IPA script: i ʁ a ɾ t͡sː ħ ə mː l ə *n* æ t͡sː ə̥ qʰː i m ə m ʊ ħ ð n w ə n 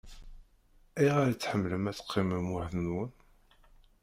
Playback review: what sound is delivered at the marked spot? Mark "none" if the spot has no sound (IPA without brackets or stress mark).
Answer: m